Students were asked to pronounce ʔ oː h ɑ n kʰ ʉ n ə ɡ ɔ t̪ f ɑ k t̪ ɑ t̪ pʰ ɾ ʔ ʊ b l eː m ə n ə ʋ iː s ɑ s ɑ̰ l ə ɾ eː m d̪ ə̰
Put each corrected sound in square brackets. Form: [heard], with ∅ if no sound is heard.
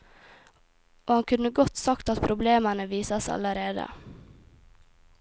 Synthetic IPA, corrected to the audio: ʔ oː h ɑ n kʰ ʉ n ə ɡ ɔ t̪ [s] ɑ k t̪ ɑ t̪ pʰ ɾ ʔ ʊ b l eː m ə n ə ʋ iː s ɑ s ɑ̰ l ə ɾ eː [∅] d̪ ə̰